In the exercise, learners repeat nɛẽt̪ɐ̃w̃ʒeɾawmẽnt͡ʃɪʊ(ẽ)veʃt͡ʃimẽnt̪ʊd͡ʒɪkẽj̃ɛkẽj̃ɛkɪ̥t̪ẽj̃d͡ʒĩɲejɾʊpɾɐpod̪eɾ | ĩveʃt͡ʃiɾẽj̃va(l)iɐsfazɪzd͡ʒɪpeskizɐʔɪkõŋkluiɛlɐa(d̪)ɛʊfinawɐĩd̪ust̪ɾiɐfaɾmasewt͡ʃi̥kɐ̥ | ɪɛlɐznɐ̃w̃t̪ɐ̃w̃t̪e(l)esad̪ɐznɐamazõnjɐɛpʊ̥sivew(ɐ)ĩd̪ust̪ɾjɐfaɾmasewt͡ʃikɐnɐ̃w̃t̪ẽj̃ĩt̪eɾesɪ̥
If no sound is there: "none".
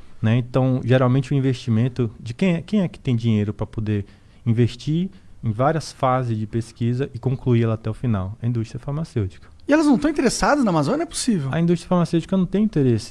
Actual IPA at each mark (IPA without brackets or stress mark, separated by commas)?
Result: ĩ, ɾ, t̪, ɾ, ɐ